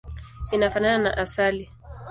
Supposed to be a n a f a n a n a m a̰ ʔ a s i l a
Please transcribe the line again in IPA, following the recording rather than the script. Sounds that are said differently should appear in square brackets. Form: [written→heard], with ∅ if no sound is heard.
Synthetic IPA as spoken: [a→i] n a f a n a n a [m→n] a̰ ʔ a s [i→a] l [a→i]